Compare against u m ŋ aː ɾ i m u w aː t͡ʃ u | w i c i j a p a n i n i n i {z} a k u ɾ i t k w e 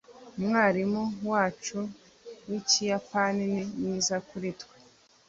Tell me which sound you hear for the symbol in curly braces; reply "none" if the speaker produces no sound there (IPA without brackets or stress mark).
z